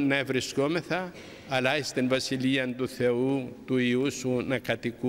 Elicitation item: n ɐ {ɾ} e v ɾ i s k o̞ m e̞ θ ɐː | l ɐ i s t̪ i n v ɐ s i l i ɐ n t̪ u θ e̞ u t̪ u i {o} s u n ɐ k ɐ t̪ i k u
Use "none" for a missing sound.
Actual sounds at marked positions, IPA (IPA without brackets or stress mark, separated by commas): none, u